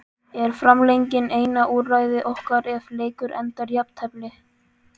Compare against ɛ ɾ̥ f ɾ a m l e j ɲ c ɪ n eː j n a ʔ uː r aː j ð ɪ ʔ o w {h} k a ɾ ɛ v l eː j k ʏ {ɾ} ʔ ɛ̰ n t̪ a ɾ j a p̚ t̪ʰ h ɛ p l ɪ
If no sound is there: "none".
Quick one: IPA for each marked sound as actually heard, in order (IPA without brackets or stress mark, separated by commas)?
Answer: h, ɾ